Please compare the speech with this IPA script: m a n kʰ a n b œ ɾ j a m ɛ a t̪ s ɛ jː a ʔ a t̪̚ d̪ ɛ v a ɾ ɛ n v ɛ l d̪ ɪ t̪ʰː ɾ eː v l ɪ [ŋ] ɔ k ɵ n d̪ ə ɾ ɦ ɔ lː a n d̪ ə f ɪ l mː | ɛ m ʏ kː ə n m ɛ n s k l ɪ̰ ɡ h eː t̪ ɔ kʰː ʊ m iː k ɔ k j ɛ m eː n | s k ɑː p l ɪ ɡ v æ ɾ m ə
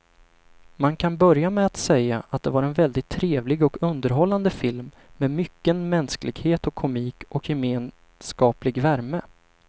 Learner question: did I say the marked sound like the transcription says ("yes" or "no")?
no